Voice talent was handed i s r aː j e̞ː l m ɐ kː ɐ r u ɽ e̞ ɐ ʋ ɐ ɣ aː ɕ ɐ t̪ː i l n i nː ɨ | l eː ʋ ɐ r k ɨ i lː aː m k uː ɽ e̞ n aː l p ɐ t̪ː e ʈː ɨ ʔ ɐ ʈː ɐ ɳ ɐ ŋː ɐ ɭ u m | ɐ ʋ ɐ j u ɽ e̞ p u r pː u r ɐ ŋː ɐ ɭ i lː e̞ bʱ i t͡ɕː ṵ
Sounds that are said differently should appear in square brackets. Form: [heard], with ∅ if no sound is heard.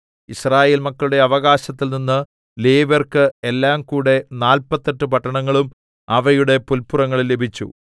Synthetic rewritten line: i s r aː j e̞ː l m ɐ kː ɐ [ɭ] u ɽ e̞ ɐ ʋ ɐ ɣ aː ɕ ɐ t̪ː i l n i nː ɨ | l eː ʋ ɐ r k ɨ [e] lː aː m k uː ɽ e̞ n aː l p ɐ t̪ː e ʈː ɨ [p] ɐ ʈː ɐ ɳ ɐ ŋː ɐ ɭ u m | ɐ ʋ ɐ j u ɽ e̞ p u [l] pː u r ɐ ŋː ɐ ɭ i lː e̞ bʱ i t͡ɕː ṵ